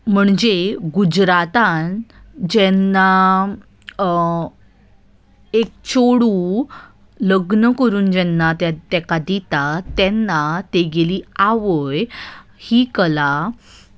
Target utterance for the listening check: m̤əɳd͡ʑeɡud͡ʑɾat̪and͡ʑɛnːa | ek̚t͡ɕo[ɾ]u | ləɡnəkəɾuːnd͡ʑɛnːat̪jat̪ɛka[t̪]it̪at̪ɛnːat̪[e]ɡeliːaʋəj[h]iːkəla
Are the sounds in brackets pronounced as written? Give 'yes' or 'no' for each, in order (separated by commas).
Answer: no, no, yes, yes